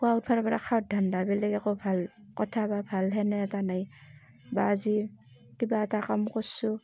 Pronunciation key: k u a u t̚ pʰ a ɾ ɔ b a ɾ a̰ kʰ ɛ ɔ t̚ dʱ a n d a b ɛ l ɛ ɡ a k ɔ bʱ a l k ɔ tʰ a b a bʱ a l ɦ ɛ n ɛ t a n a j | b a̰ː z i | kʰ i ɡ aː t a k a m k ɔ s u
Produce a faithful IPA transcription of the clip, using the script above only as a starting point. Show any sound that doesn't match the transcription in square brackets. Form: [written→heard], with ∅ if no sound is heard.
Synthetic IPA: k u a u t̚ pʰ a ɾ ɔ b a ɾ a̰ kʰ [ɛ→a] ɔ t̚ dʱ a n d a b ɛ l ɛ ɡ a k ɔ bʱ a l k ɔ tʰ a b a bʱ a l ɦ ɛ n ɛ t a n a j | b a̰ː z i | [kʰ→k] i [ɡ→b] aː t a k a m k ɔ s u